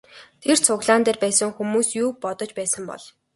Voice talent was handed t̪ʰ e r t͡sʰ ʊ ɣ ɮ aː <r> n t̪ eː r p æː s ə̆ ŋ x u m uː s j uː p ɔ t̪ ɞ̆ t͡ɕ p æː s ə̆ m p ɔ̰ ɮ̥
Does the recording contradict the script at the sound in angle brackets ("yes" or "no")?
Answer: yes